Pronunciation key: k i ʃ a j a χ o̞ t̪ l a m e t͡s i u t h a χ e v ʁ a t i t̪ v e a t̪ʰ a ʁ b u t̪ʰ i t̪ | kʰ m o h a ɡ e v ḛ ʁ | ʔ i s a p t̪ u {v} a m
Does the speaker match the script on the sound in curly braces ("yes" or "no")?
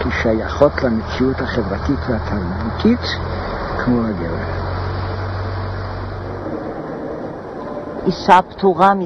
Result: no